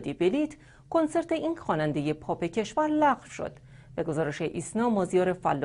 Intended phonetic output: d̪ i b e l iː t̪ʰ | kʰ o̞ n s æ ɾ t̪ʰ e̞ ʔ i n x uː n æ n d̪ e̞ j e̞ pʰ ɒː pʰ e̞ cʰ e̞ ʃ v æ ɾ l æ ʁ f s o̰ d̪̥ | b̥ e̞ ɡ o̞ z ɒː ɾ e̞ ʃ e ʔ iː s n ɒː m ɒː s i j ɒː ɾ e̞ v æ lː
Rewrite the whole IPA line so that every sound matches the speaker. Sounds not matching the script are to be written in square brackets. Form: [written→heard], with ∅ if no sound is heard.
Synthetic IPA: d̪ i b e l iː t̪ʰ | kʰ o̞ n s [æ→e] ɾ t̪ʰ e̞ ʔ i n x [uː→ɒː] n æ n d̪ e̞ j e̞ pʰ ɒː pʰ e̞ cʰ e̞ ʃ v æ ɾ l æ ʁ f [s→ʃ] o̰ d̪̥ | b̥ e̞ ɡ o̞ z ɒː ɾ e̞ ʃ e ʔ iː s n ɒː m ɒː [s→z] i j ɒː ɾ e̞ [v→f] æ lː